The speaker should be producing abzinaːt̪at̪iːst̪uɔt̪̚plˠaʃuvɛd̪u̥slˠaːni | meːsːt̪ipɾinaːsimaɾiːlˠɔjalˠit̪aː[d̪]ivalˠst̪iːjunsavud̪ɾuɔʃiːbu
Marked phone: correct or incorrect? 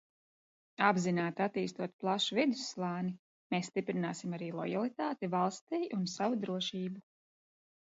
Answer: incorrect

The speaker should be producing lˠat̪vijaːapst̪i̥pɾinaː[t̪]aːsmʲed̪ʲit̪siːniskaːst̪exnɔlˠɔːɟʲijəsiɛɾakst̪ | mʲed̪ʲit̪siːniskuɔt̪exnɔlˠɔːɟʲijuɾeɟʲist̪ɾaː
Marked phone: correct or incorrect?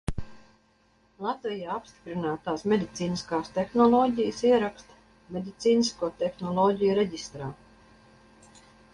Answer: correct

